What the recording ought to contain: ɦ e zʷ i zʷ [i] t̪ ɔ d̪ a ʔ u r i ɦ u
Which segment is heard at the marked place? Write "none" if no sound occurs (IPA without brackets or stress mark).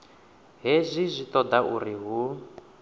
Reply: i